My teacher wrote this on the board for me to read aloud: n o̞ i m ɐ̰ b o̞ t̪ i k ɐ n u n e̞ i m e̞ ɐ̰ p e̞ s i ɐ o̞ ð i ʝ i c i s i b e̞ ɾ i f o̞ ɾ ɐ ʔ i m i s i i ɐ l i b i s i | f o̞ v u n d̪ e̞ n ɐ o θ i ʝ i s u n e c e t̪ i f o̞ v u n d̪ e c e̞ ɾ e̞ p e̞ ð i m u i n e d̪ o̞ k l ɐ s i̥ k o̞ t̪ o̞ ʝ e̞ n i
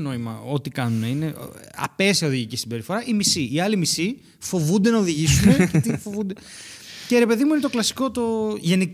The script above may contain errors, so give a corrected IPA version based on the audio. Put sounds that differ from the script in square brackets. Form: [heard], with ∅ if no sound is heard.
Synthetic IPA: n o̞ i m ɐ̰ [∅] o̞ t̪ i k ɐ n u n e̞ i [n] e̞ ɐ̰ p e̞ s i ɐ o̞ ð i ʝ i c i s i b e̞ ɾ i f o̞ ɾ ɐ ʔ i m i s i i ɐ l i [m] i s i | f o̞ v u n d̪ e̞ n ɐ o [ð] i ʝ i s u n e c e t̪ i f o̞ v u n d̪ e c e̞ ɾ e̞ p e̞ ð i m u i n e [t̪] o̞ k l ɐ s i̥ k o̞ t̪ o̞ ʝ e̞ n i